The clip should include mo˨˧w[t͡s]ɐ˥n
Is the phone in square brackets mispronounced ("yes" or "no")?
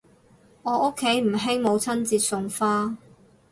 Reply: yes